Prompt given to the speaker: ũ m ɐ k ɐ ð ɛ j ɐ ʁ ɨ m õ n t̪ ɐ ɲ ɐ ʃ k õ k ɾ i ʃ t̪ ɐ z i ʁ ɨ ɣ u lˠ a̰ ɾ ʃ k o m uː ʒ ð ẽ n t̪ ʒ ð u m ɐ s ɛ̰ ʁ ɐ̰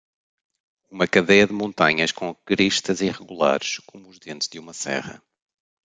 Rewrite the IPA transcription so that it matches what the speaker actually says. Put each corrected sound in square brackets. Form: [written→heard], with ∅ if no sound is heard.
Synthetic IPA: [ũ→u] m ɐ k ɐ ð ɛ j ɐ [ʁ→ð] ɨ m õ n t̪ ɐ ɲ ɐ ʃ k õ k ɾ i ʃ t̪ ɐ z i ʁ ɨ ɣ u lˠ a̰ ɾ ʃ k o m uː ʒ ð ẽ n t̪ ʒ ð u m ɐ s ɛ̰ ʁ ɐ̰